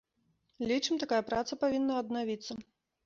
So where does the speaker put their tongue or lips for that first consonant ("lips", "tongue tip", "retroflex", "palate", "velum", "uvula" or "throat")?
tongue tip